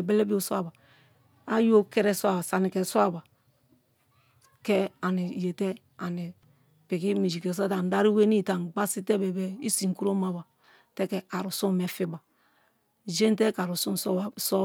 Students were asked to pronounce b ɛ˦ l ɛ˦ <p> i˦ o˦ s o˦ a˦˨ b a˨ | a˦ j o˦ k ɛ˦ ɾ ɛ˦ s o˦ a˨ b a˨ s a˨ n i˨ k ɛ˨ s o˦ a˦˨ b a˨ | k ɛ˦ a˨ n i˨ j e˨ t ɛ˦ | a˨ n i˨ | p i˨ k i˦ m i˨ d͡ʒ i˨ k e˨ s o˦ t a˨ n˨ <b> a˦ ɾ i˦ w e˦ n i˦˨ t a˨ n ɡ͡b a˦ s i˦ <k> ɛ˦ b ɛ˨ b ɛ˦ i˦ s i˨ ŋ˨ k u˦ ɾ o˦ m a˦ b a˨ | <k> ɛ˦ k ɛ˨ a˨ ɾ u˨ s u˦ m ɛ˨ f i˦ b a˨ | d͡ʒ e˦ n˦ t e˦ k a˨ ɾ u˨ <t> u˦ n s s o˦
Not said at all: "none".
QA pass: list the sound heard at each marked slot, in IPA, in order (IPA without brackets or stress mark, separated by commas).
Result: b, d, t, t, s